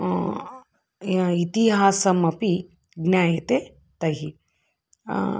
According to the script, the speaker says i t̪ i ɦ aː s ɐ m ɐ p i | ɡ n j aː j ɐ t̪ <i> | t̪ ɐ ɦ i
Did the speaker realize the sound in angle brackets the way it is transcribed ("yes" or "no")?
no